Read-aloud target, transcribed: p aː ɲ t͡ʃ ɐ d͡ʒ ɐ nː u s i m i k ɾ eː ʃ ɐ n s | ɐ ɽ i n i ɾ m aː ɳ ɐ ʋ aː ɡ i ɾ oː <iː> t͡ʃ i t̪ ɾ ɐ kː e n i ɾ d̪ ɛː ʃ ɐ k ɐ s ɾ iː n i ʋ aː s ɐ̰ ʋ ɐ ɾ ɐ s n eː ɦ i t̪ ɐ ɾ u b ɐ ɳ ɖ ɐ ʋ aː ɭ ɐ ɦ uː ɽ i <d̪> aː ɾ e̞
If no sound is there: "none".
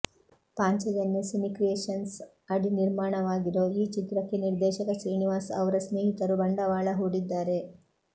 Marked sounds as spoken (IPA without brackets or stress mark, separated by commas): iː, d̪ː